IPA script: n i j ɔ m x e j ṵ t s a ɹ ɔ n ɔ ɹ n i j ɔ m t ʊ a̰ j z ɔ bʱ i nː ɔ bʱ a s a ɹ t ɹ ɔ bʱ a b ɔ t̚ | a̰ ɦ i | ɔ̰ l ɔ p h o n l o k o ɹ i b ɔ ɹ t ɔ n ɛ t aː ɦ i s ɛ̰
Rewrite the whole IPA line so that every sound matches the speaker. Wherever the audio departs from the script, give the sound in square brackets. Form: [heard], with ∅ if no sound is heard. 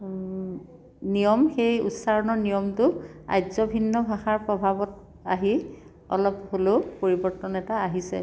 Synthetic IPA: n i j ɔ m x e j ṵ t s a ɹ ɔ n ɔ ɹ n i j ɔ m t ʊ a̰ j z ɔ bʱ i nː ɔ bʱ a [x] a ɹ [p] ɹ ɔ bʱ a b ɔ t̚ | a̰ ɦ i | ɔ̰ l ɔ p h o [∅] l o [p] o ɹ i b ɔ ɹ t ɔ n ɛ t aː ɦ i s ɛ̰